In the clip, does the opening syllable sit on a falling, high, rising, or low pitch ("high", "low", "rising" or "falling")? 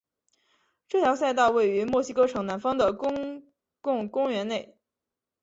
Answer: falling